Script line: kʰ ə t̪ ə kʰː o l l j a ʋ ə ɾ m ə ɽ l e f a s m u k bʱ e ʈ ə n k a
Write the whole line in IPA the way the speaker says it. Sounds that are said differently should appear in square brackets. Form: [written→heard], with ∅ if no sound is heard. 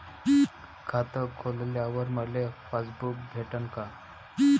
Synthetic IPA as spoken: kʰ [ə→a] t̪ ə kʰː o l l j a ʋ ə ɾ m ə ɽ l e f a s [m→b] u k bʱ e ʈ ə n k a